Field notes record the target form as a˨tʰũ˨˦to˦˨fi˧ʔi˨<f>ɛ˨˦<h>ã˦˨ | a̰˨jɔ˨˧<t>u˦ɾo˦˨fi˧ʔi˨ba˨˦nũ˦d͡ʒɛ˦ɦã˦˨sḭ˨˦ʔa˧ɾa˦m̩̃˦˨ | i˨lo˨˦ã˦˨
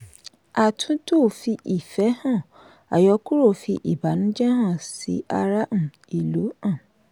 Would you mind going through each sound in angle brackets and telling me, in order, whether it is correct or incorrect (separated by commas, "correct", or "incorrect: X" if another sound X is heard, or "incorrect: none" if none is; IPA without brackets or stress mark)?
correct, correct, incorrect: k